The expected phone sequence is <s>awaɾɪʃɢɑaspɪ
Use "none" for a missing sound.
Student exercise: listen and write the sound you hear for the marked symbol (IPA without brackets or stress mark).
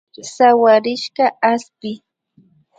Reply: s